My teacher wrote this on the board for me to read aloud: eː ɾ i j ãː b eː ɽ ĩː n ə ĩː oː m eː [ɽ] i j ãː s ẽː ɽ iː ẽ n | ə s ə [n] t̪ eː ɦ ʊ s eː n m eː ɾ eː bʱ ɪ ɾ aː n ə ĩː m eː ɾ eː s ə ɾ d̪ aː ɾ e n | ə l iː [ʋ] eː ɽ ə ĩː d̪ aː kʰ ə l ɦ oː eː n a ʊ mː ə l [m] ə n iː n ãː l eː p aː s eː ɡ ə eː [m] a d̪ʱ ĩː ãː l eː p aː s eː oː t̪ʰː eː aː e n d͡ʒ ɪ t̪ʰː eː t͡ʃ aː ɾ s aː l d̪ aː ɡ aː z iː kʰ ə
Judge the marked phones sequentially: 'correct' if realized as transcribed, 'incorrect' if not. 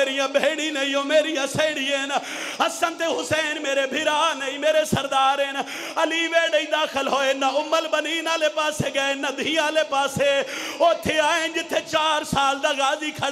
incorrect, correct, correct, incorrect, incorrect

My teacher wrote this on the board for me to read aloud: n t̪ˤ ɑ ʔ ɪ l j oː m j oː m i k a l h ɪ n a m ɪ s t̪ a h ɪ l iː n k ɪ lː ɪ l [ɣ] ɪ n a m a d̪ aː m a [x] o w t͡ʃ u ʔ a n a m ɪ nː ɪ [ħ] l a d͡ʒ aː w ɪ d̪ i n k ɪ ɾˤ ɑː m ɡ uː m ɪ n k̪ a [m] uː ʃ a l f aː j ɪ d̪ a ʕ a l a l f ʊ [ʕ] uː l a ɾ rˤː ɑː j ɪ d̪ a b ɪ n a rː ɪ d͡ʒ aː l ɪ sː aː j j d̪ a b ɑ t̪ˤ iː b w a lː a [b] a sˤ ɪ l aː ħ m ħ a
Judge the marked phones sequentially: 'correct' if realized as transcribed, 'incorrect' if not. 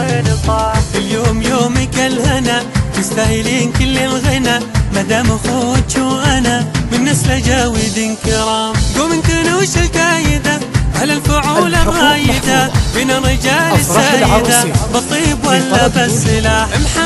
correct, correct, incorrect, incorrect, correct, correct

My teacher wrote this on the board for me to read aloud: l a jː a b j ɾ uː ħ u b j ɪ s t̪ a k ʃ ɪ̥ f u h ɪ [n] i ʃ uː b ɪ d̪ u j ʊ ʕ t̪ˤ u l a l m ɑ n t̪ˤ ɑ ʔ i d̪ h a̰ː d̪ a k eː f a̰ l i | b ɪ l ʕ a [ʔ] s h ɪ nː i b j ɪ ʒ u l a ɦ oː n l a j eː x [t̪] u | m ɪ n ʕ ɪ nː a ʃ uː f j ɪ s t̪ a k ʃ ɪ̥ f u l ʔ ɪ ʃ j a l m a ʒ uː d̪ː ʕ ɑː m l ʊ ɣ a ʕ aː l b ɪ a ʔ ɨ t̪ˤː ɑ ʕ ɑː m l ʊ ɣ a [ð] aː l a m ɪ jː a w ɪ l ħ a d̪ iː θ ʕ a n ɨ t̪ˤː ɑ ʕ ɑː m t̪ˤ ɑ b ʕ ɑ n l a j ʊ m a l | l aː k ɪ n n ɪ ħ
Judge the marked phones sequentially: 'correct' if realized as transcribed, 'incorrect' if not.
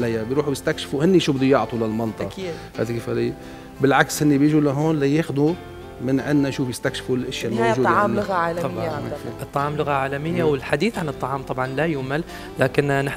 incorrect, incorrect, incorrect, incorrect

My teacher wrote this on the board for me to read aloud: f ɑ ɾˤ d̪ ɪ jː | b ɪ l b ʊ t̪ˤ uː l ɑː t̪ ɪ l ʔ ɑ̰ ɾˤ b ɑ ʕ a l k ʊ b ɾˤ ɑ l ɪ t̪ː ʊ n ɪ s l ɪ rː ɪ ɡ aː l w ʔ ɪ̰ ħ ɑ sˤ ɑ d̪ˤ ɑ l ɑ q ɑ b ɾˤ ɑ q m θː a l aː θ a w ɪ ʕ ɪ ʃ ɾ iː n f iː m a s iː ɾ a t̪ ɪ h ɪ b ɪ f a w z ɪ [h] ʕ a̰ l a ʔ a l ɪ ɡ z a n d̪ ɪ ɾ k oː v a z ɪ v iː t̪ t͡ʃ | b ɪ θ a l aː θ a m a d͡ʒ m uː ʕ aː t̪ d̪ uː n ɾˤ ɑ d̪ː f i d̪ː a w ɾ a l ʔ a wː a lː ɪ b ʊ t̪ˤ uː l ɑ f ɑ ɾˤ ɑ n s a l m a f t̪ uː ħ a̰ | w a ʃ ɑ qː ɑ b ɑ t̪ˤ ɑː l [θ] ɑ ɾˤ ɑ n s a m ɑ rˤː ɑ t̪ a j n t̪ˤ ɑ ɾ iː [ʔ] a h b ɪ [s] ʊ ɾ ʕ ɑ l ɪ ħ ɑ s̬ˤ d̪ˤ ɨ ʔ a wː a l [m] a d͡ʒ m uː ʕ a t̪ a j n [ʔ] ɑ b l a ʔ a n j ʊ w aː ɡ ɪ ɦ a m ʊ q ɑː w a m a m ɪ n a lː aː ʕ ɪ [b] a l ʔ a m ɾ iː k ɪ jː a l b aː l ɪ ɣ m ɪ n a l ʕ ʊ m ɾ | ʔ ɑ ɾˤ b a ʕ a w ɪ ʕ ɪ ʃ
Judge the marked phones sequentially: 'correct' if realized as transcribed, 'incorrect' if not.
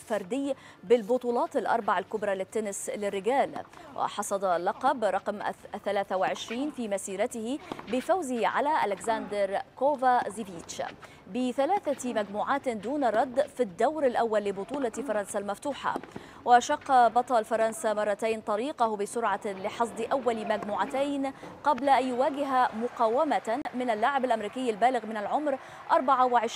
correct, incorrect, incorrect, correct, correct, incorrect, correct

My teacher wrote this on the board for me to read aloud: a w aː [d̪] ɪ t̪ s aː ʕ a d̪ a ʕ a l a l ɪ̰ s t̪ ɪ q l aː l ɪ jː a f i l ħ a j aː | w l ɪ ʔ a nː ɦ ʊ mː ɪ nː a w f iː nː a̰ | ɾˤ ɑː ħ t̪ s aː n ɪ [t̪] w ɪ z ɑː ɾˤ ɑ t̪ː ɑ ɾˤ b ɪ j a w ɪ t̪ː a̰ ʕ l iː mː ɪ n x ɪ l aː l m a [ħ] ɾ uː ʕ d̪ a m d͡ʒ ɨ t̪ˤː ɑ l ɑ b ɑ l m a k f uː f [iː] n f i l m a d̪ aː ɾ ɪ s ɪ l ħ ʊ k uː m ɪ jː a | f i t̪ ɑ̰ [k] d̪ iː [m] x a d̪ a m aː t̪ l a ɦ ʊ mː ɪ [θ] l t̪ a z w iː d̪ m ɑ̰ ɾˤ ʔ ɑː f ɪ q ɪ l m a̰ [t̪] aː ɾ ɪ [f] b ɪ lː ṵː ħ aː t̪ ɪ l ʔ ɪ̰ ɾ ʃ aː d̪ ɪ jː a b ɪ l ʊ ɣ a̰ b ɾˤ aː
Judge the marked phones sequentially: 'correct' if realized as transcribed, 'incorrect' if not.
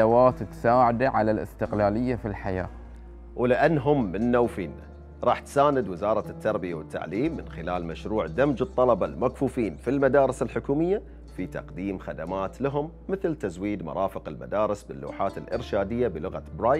incorrect, incorrect, incorrect, correct, incorrect, correct, correct, incorrect, incorrect

